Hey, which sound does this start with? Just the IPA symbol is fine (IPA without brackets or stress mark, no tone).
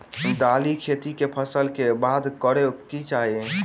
d̪